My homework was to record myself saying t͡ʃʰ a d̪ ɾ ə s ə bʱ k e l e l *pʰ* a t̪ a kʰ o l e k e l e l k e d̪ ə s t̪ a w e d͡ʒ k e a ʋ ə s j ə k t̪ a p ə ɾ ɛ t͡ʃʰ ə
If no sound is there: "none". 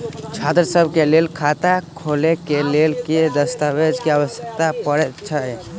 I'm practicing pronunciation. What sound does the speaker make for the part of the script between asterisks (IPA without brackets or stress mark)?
kʰ